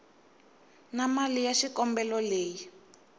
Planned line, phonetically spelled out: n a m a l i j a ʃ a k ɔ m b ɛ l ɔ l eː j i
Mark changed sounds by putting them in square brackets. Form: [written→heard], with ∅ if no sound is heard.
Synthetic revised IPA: n a m a l i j a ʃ [a→i] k ɔ m b ɛ l ɔ l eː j i